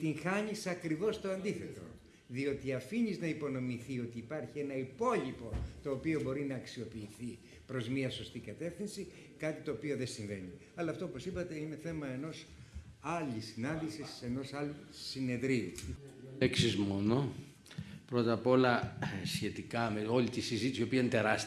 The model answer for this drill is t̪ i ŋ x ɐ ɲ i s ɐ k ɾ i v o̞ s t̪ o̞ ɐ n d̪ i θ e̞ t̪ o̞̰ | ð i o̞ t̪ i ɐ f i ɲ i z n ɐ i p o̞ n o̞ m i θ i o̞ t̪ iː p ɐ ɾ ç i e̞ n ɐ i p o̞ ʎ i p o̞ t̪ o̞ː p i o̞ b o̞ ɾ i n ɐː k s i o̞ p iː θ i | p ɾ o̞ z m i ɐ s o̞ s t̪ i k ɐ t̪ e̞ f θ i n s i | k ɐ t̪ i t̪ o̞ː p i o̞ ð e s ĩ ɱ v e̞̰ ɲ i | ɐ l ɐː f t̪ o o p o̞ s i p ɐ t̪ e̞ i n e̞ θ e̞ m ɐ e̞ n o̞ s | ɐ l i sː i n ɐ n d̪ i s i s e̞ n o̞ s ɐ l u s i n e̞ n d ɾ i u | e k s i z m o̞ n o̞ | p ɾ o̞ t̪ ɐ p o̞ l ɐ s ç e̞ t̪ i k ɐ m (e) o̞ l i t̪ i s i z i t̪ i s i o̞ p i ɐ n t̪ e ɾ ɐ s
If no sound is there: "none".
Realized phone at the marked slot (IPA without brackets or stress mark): e